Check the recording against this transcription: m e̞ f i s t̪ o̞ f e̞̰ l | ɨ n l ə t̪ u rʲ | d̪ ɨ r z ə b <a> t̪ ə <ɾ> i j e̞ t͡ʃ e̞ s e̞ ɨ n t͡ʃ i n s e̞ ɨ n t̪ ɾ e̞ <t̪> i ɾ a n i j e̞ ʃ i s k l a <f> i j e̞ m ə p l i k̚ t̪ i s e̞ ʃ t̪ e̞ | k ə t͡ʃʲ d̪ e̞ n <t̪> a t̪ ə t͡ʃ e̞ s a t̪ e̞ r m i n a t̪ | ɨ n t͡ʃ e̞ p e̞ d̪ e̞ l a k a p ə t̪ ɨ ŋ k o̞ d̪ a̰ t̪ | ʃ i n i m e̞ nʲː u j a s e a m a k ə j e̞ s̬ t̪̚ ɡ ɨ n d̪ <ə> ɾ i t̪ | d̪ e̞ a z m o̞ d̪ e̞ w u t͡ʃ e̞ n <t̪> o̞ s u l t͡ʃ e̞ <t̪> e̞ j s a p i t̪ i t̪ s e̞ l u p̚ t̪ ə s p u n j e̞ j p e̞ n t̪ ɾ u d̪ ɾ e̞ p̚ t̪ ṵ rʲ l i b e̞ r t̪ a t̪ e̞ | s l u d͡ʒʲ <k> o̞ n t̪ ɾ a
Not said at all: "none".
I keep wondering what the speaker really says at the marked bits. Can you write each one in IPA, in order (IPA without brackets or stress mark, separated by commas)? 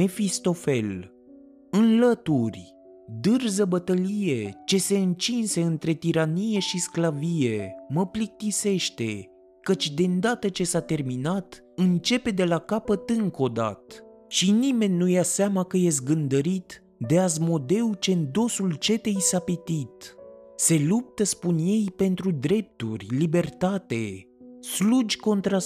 ə, l, t̪, v, d̪, ə, d̪, t̪, k